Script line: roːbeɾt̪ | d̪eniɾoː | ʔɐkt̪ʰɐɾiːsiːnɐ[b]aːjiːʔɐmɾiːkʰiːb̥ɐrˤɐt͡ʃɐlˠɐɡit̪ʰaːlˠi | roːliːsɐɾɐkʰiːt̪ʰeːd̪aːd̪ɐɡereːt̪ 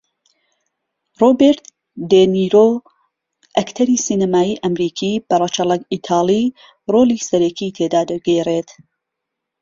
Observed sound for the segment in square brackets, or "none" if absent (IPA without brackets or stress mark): m